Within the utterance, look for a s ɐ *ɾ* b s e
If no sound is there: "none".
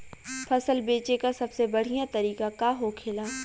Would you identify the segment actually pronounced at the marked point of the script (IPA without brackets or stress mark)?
none